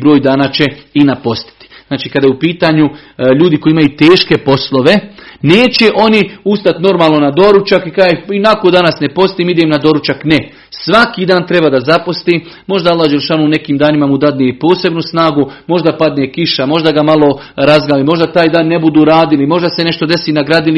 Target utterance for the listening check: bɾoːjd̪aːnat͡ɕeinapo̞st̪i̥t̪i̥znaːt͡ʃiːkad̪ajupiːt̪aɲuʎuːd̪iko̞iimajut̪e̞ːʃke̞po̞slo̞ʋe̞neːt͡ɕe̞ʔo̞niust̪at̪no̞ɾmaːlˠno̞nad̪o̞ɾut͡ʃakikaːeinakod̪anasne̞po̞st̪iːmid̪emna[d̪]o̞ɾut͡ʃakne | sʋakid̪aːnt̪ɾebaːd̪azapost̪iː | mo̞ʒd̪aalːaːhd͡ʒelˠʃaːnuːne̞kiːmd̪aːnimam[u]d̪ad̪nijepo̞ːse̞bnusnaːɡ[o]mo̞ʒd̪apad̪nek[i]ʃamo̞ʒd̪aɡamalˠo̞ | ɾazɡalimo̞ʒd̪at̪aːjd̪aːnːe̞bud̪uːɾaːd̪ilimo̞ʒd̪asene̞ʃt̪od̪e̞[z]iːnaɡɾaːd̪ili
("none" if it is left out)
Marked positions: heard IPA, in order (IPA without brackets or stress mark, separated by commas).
d̪, u, u, i, s